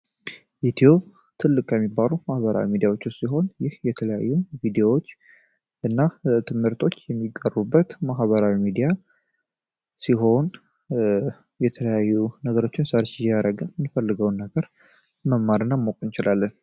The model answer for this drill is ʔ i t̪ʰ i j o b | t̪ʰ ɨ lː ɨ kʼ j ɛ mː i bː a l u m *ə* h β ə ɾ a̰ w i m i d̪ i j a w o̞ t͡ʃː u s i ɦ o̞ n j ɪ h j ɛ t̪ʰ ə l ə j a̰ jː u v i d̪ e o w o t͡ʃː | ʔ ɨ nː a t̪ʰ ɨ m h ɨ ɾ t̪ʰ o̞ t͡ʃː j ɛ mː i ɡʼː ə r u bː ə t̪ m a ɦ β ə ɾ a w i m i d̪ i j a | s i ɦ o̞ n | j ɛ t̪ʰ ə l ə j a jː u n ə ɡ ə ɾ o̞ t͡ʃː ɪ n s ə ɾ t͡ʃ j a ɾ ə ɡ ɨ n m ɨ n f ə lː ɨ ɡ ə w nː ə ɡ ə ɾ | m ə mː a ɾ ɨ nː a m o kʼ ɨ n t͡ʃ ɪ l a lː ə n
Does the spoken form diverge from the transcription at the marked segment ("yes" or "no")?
yes